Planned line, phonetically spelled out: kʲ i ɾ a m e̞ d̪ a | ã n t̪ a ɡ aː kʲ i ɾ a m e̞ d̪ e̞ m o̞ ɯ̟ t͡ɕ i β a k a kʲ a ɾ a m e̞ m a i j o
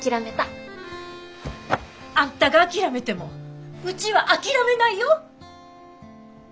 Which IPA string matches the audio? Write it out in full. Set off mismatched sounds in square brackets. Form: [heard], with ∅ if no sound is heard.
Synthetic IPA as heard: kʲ i ɾ a m e̞ [t̪] a | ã n t̪ a ɡ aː kʲ i ɾ a m e̞ [t̪] e̞ m o̞ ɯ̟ t͡ɕ i β a [ʔ] a kʲ [i] ɾ a m e̞ [n] a i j o